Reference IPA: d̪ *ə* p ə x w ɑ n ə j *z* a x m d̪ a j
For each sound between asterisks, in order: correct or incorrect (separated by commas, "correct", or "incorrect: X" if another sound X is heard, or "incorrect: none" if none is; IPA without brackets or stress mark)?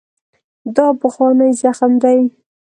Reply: incorrect: ɑ, correct